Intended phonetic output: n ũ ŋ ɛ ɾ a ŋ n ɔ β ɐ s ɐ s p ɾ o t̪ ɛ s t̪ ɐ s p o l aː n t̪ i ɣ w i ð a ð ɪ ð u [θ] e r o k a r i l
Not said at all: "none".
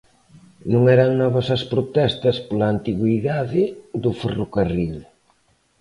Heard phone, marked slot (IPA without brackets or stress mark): f